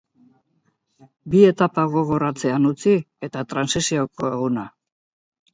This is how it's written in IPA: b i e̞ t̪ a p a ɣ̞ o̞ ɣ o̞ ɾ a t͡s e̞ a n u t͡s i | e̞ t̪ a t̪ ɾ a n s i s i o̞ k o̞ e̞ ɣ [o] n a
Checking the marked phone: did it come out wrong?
yes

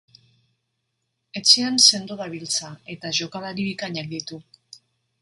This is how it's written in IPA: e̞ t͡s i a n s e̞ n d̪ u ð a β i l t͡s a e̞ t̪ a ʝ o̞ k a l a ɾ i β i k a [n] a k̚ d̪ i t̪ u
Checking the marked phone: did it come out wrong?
yes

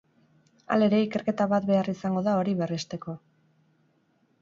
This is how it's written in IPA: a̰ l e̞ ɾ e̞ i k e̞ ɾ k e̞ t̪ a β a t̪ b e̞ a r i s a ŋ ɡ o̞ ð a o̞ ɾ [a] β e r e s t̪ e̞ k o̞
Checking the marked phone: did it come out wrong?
yes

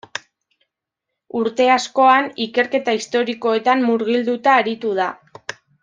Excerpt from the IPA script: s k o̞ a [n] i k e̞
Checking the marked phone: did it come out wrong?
no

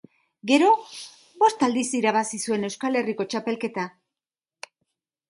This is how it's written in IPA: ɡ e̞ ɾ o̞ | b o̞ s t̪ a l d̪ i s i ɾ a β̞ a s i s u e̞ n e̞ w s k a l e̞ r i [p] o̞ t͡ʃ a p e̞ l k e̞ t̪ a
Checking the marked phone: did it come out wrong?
yes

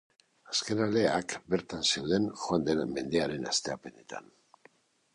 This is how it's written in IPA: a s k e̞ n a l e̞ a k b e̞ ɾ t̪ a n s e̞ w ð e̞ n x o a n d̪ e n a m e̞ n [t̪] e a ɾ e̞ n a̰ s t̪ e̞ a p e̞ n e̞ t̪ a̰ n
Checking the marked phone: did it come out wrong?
yes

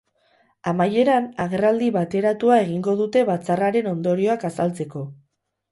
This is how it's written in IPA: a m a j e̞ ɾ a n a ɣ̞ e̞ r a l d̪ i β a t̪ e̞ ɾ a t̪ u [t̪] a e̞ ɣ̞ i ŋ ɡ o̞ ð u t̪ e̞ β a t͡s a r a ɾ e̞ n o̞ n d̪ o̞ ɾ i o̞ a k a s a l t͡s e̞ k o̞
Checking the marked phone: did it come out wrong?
yes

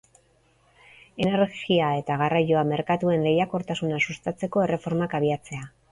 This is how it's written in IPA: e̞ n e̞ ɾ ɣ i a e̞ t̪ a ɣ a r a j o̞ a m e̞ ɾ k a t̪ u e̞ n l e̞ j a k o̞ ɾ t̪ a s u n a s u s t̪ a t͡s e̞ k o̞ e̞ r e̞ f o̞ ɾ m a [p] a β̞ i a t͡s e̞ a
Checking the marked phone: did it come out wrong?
yes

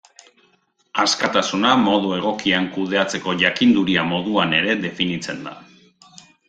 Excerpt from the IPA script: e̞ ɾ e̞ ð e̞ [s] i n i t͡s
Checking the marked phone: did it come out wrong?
yes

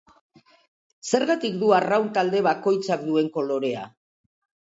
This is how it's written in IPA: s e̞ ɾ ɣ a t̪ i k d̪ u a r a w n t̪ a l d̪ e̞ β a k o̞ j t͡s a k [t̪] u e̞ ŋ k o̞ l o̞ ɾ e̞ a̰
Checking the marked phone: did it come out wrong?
yes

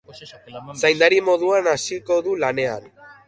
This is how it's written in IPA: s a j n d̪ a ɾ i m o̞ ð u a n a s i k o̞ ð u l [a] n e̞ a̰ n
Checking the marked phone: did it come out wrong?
no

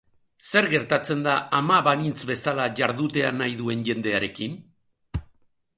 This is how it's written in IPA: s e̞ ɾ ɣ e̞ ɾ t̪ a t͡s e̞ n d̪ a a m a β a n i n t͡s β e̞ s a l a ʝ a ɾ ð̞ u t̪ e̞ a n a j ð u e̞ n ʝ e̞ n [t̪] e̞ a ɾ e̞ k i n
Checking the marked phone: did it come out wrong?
yes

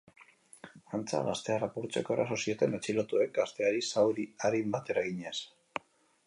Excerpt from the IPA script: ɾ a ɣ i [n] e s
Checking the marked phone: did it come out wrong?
yes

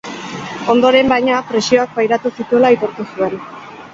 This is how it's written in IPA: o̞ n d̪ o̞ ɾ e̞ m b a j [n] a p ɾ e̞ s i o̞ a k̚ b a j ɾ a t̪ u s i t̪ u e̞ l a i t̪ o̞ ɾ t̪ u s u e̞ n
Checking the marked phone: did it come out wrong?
yes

